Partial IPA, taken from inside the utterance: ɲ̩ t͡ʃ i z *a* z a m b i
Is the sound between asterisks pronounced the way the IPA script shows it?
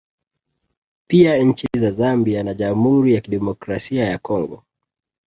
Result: yes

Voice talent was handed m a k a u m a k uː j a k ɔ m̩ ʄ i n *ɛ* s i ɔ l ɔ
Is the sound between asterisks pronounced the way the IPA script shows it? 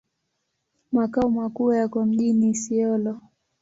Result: no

